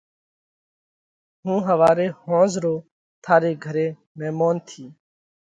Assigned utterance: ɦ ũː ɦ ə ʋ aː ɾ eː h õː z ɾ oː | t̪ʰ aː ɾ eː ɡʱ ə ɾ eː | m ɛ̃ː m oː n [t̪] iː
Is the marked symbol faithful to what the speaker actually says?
no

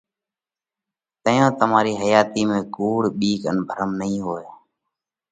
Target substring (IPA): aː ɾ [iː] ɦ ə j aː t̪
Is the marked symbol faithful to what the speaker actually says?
yes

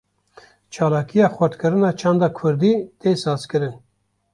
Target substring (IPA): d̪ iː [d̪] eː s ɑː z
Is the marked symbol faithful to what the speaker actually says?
no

